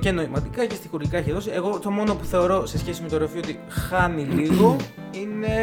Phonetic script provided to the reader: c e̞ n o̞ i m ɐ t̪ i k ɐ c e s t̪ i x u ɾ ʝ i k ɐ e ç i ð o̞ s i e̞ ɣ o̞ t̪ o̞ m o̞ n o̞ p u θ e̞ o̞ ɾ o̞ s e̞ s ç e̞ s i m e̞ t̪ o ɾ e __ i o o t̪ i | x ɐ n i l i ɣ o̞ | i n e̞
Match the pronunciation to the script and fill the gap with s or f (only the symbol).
f